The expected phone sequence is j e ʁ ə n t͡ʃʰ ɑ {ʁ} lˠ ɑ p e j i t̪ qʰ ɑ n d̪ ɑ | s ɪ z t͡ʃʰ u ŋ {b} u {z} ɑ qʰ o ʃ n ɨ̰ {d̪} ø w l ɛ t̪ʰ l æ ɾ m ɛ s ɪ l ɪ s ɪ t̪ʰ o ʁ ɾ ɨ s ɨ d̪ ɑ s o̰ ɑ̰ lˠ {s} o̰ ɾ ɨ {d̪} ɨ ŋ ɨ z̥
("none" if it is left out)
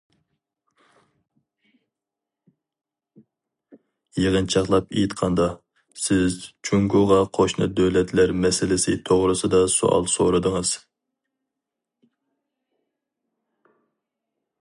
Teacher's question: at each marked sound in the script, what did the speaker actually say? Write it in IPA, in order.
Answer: χ, ɡ, ʁ, d̪, s, d̪

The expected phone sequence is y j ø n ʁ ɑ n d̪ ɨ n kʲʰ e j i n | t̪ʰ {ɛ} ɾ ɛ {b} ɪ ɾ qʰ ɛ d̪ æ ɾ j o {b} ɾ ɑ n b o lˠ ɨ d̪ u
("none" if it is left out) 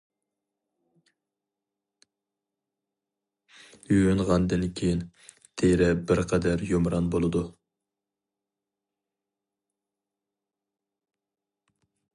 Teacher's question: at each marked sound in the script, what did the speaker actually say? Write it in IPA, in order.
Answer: e, b, m

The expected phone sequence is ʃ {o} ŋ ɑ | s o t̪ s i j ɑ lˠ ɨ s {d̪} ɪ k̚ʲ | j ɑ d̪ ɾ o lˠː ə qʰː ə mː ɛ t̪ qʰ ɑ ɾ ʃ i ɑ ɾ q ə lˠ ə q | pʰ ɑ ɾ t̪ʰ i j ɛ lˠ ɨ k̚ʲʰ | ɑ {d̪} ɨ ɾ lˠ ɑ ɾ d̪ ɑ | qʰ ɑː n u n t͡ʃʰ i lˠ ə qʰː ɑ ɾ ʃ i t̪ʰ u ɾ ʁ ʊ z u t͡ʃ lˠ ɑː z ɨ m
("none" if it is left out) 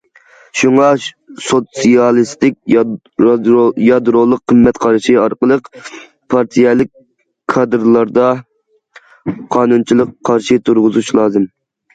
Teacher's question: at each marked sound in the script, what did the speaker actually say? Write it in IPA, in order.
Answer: u, t̪, d̪

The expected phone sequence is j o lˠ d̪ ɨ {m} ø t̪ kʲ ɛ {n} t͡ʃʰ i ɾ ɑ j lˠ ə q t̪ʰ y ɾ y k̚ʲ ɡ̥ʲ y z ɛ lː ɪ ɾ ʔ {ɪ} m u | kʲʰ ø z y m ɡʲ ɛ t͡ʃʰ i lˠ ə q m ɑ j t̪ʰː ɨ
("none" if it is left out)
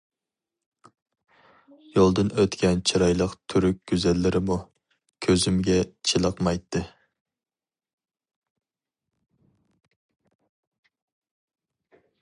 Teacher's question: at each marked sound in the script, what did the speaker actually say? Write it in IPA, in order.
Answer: n, n, ɪ

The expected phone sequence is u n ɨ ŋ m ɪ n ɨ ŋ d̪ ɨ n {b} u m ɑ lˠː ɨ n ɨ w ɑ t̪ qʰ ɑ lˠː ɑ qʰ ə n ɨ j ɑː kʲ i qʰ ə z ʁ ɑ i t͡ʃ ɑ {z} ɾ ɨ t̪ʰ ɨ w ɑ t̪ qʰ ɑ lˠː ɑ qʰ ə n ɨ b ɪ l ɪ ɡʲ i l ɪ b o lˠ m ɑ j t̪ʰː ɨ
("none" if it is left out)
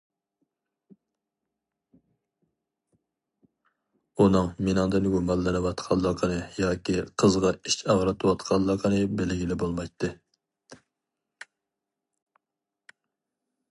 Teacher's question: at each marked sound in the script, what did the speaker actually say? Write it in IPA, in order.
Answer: ɡ, ʁ

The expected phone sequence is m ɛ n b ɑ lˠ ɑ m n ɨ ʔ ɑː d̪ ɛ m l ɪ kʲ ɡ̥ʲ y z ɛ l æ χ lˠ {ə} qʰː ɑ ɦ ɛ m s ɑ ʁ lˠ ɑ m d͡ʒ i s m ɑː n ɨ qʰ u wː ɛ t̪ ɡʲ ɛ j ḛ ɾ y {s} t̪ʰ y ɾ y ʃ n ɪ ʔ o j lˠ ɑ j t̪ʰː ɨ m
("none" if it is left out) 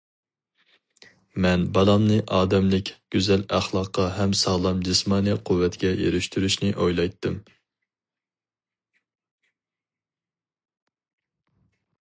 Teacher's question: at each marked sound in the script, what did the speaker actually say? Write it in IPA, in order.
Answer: ɑ, ʃ

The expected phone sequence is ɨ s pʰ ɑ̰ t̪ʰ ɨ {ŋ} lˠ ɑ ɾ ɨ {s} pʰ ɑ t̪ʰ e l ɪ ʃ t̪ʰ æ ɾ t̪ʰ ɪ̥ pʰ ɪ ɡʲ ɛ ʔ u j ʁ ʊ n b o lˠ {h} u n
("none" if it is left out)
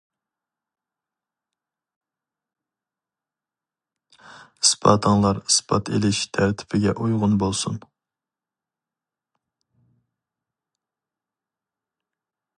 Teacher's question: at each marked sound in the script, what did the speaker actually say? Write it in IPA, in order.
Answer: ŋ, s, s

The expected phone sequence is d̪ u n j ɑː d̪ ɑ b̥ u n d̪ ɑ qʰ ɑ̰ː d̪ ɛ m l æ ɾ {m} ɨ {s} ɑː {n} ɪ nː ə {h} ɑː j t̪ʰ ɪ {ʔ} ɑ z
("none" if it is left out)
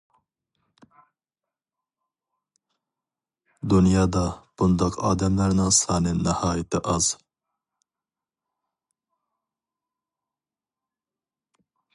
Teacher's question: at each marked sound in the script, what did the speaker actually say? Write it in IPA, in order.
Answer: n, s, n, h, ʔ

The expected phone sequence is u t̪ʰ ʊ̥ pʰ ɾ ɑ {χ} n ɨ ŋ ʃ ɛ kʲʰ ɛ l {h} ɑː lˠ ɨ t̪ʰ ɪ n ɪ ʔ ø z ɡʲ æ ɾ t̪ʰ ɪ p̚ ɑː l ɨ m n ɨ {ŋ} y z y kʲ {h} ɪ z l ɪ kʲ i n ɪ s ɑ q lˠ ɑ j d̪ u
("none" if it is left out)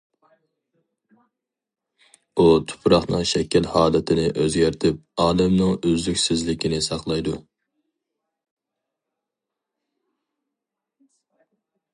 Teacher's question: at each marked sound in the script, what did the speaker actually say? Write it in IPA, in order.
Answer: χ, h, ŋ, s

